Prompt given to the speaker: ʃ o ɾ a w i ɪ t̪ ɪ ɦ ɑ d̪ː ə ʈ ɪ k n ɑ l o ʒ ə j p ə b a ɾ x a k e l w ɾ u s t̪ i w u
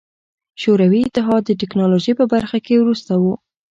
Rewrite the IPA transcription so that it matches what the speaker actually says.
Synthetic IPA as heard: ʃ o ɾ a w i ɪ t̪ ɪ ɦ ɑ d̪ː ə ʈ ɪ k n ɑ l o ʒ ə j p ə b a ɾ x a k e w ɾ u s t̪ a w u